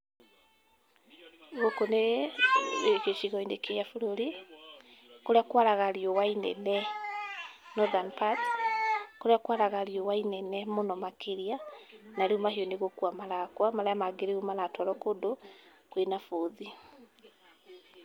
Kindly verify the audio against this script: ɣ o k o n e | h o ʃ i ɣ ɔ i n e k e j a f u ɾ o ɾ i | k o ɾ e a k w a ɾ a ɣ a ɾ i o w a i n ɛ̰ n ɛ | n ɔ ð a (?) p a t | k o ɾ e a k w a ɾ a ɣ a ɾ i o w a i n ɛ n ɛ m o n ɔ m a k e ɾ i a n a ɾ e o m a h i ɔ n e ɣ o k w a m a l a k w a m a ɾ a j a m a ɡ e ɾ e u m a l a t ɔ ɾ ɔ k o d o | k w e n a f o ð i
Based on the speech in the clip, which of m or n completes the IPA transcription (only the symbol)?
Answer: n